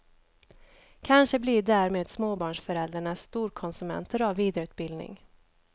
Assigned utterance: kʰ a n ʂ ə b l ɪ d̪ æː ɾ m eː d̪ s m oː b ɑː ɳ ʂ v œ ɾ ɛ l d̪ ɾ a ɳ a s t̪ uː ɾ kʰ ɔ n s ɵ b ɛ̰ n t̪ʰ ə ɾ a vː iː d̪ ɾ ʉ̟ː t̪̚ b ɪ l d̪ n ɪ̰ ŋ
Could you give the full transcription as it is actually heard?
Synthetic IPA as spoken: kʰ a n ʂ ə b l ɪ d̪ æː ɾ m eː d̪ s m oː b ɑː ɳ ʂ f œ ɾ ɛ l d̪ ɾ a ɳ a s t̪ uː ɾ kʰ ɔ n s ɵ m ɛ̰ n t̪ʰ ə ɾ a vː iː d̪ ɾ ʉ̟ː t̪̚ b ɪ l d̪ n ɪ̰ ŋ